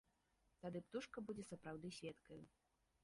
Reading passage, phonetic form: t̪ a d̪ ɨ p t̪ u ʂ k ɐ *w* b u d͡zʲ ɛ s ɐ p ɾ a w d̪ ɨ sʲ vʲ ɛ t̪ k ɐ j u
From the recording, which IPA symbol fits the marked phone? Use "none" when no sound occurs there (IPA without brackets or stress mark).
none